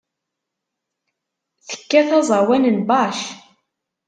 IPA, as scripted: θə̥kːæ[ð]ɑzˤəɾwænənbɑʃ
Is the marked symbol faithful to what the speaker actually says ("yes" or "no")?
no